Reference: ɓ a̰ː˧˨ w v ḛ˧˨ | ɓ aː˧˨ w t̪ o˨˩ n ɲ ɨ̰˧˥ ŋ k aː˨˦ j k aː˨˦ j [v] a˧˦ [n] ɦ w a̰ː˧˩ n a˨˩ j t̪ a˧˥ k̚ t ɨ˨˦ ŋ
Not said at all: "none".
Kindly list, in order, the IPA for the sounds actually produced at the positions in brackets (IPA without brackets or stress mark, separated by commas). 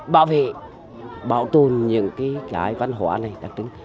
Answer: v, n